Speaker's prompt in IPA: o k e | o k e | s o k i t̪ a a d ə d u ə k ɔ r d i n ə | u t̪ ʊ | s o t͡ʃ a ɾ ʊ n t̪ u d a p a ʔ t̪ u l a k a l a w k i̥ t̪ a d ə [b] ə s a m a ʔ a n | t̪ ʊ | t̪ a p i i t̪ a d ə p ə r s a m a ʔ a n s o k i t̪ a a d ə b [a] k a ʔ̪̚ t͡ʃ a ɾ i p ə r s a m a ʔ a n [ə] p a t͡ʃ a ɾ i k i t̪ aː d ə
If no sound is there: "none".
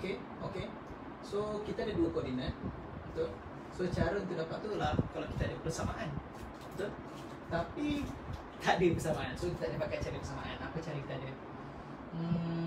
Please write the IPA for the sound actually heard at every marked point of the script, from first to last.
p, a, a

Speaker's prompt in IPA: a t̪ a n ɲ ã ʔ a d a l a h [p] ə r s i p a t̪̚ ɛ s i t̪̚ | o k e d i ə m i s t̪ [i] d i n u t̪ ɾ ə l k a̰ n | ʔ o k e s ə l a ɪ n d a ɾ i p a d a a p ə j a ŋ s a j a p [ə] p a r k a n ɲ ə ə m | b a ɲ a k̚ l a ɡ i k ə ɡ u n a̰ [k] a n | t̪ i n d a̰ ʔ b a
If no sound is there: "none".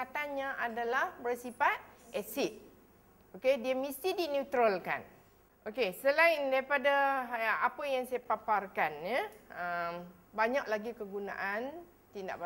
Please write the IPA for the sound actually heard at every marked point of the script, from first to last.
b, i, a, ʔ

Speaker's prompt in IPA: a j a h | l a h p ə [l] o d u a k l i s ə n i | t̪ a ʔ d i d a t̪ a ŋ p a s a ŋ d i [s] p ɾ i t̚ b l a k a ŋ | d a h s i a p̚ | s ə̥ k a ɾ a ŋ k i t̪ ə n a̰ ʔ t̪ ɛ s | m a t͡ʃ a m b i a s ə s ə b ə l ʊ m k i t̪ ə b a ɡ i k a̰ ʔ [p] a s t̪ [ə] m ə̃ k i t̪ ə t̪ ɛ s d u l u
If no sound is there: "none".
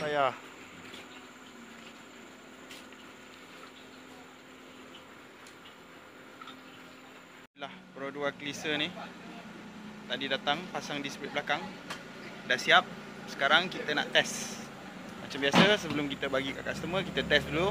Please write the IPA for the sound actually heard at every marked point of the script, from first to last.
ɾ, s, k, ə

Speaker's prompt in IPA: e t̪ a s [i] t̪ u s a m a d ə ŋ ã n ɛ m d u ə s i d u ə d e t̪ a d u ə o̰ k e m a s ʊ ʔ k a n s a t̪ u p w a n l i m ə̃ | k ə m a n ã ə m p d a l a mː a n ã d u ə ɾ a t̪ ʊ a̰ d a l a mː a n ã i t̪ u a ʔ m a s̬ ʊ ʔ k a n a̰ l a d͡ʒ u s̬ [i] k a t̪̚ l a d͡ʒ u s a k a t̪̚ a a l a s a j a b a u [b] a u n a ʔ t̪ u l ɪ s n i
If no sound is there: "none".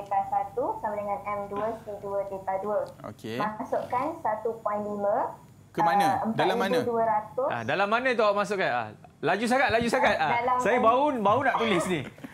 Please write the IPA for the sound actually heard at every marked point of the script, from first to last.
a, a, b

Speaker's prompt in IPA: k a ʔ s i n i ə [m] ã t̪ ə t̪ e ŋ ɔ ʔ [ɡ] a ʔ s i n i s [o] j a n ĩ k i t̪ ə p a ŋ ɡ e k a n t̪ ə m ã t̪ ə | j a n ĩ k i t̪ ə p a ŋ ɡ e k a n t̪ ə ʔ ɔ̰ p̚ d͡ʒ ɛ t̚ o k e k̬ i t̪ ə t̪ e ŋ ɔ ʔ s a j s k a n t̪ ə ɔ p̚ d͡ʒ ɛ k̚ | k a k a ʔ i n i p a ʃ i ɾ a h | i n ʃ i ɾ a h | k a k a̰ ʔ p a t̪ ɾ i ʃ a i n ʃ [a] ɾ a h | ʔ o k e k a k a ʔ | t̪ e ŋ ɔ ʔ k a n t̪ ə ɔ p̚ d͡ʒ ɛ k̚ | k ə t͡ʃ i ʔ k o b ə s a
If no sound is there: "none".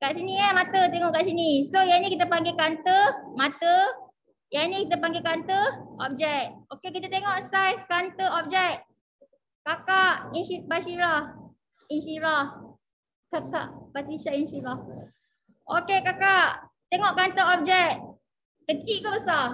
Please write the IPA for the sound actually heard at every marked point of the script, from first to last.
m, k, o, i

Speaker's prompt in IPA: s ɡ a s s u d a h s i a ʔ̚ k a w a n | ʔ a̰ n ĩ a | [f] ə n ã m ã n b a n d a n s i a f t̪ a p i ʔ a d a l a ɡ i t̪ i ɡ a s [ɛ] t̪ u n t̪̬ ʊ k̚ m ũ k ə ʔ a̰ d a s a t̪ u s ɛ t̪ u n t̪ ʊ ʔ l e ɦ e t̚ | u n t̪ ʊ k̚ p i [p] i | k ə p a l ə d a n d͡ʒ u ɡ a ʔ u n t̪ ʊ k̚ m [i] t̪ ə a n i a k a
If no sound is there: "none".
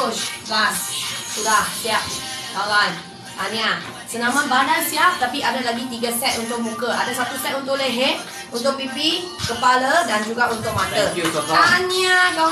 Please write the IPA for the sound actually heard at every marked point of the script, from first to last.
s, ɛ, p, a

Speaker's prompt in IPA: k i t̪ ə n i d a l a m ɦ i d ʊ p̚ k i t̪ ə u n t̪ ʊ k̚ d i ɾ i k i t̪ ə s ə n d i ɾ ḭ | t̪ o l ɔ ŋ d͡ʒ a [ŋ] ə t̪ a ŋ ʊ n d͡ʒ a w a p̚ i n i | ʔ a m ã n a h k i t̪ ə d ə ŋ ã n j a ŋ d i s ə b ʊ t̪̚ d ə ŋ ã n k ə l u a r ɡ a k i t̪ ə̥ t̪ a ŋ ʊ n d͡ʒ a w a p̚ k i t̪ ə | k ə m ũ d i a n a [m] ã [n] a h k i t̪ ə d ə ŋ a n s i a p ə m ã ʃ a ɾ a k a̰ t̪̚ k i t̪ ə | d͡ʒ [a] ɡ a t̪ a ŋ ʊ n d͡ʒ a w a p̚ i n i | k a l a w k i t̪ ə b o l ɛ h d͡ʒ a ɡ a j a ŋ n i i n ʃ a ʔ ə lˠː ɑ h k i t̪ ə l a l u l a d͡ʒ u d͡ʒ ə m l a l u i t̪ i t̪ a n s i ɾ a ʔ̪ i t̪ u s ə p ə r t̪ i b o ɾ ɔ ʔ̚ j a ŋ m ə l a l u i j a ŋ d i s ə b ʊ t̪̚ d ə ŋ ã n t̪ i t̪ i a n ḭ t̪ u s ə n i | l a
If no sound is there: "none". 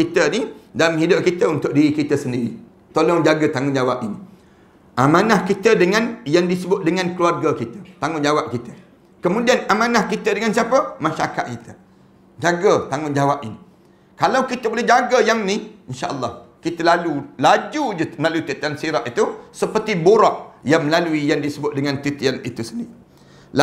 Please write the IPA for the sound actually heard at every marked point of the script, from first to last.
ɡ, m, n, a

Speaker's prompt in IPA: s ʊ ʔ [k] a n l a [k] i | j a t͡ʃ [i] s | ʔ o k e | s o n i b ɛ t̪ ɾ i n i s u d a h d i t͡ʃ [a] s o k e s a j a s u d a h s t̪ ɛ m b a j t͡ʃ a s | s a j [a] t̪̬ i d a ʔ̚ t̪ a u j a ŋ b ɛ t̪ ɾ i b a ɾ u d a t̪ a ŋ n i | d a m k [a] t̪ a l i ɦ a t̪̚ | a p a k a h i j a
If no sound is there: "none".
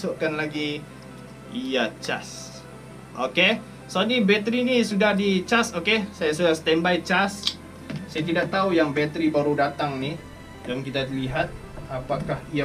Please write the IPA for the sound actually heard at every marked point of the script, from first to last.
k, ɡ, a, a, a, i

